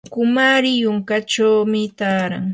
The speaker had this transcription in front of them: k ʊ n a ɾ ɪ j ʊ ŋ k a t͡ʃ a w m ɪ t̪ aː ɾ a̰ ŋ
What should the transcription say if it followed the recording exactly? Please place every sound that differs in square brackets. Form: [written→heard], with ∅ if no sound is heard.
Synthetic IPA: k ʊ [n→m] a ɾ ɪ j ʊ ŋ k a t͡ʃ a w m ɪ t̪ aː ɾ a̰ ŋ

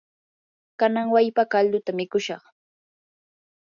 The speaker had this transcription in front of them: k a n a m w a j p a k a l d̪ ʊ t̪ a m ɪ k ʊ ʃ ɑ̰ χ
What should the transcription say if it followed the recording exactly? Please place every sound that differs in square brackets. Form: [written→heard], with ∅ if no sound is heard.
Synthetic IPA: k a n a [m→ŋ] w a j p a k a l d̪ ʊ t̪ a m ɪ k ʊ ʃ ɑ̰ χ

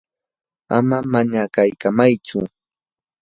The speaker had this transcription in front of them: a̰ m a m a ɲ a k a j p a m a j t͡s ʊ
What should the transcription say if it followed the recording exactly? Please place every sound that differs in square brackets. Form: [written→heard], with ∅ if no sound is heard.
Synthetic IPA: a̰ m a m a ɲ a k a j [p→k] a m a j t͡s ʊ

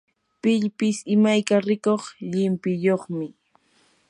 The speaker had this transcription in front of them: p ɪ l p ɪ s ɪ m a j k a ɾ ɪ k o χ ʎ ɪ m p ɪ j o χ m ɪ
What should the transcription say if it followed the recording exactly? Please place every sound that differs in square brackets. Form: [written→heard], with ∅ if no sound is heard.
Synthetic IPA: p ɪ [l→ʎ] p ɪ s ɪ m a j k a ɾ ɪ k o χ ʎ ɪ m p ɪ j o χ m ɪ

